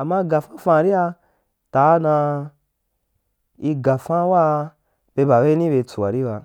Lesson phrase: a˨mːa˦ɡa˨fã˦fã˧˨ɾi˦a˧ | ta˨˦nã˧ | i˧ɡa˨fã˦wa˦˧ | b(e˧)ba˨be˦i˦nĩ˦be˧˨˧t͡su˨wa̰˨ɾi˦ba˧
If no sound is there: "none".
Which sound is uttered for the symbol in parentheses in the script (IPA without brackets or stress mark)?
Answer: e˧